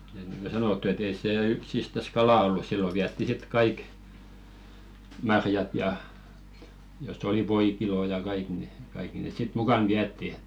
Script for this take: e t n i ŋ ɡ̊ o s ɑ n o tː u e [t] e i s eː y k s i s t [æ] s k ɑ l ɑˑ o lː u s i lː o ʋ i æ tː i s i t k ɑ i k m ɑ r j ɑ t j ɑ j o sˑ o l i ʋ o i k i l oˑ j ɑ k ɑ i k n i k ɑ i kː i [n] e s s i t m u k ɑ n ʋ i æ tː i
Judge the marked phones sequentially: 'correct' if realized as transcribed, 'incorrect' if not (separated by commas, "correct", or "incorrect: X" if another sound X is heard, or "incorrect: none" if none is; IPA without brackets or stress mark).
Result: correct, correct, correct